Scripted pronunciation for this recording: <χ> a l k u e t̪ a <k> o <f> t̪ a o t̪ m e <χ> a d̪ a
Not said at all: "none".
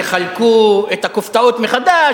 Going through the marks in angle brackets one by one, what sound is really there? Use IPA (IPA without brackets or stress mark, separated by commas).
χ, k, f, χ